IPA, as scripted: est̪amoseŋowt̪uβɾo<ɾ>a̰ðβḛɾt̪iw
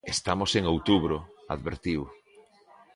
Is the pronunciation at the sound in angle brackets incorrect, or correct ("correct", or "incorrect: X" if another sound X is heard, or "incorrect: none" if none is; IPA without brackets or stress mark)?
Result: incorrect: none